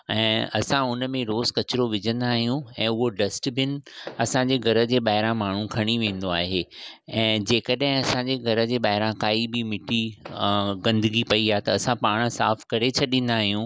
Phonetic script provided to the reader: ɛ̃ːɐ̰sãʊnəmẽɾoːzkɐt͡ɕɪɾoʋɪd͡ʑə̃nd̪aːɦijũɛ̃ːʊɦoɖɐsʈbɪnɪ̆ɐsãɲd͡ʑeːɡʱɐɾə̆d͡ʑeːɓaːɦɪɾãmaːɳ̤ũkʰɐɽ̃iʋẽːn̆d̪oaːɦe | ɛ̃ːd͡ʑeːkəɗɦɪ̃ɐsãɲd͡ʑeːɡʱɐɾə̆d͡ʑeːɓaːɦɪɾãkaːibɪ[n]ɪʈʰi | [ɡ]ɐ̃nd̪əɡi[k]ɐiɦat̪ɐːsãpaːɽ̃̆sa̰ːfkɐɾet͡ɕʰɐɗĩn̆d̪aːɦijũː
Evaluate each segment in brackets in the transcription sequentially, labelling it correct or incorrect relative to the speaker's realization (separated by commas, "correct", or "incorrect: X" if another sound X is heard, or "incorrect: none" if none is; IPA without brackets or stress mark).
incorrect: m, correct, incorrect: p